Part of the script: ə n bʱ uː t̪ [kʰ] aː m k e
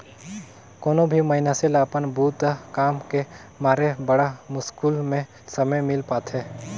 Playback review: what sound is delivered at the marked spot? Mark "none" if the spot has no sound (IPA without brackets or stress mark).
k